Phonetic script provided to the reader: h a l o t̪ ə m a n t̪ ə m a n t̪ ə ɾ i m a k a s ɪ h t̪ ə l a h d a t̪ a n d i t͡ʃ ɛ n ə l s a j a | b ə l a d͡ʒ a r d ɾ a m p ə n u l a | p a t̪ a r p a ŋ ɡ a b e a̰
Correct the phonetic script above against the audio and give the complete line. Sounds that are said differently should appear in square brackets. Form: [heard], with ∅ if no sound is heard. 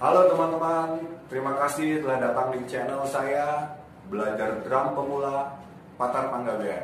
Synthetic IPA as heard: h a l o t̪ ə m a n t̪ ə m a n t̪ ə ɾ i m a k a s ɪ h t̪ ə l a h d a t̪ a [ŋ] d i t͡ʃ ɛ n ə l s a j a | b ə l a d͡ʒ a r d ɾ a m p ə [m] u l a | p a t̪ a r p a ŋ ɡ a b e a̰

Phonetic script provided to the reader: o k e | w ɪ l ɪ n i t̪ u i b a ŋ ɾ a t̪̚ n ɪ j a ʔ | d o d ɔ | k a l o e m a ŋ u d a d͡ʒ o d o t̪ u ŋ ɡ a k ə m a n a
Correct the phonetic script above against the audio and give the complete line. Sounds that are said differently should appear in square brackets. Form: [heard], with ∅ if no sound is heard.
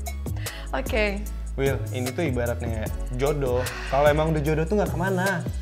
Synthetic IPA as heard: o k e | w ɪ l [i] n i t̪ u i b a [∅] ɾ a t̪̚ n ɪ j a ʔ | [d͡ʒ] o d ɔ | k a l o e m a ŋ u d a d͡ʒ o d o t̪ u ŋ ɡ a k ə m a n a

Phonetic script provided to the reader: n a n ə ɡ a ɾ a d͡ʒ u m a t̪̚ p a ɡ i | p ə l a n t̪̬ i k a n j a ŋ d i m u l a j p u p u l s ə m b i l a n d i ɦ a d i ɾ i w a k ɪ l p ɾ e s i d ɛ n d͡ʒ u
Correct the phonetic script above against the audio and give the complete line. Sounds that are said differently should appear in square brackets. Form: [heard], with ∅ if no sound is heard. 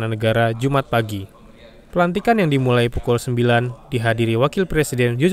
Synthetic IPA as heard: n a n ə ɡ a ɾ a d͡ʒ u m a t̪̚ p a ɡ i | p ə l a n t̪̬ i k a n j a ŋ d i m u l a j p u [k] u l s ə m b i l a n d i ɦ a d i ɾ i w a k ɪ l p ɾ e s i d ɛ n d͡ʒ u

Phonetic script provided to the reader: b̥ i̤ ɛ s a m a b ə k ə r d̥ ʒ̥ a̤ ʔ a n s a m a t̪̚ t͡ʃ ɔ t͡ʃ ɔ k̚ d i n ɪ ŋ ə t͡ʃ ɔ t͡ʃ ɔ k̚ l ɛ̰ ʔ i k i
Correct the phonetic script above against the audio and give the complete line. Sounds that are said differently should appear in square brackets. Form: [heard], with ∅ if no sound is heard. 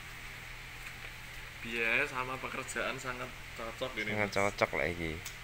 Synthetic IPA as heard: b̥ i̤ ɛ s a m a [p] ə k ə r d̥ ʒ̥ a̤ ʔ a n s a [ŋ] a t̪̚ t͡ʃ ɔ t͡ʃ ɔ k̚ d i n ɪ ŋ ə t͡ʃ ɔ t͡ʃ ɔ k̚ l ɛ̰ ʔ i k i

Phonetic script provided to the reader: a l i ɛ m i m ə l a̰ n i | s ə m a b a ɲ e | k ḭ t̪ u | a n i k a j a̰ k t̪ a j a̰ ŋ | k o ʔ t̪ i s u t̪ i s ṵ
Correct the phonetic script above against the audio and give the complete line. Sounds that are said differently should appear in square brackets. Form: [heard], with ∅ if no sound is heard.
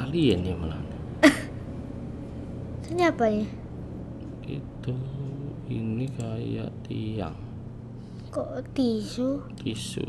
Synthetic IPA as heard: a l i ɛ [n] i m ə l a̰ n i | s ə [ɲ] a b a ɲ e | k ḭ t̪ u | [i] n i k a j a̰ [ʔ] t̪ [i] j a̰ ŋ | k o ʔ t̪ i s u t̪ i s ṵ

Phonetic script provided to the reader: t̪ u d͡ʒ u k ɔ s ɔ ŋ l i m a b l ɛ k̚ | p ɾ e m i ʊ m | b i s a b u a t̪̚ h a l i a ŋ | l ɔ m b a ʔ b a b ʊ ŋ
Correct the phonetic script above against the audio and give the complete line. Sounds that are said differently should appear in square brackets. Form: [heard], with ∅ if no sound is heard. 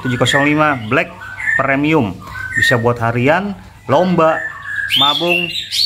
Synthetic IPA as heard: t̪ u d͡ʒ u k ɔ s ɔ ŋ l i m a b l ɛ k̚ | p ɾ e m i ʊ m | b i s a b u a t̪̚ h a [ɾ] i a [n] | l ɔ m b a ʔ [m] a b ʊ ŋ

